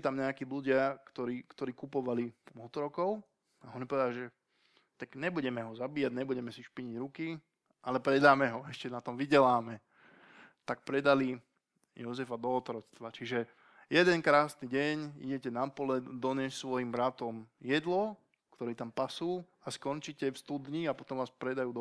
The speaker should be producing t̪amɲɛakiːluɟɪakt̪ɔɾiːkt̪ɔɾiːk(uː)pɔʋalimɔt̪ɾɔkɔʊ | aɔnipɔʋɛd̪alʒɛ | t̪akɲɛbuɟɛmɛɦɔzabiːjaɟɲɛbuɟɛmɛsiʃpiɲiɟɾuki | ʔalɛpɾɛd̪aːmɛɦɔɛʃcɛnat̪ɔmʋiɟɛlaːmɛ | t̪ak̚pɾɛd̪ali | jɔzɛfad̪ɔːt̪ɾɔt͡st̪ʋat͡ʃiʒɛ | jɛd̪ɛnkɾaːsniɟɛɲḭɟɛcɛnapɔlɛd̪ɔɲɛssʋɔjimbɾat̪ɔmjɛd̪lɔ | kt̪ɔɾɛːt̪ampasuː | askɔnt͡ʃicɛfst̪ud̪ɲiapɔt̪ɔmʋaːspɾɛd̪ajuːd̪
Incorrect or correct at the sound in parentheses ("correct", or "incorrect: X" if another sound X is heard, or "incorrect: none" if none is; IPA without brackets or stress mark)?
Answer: incorrect: u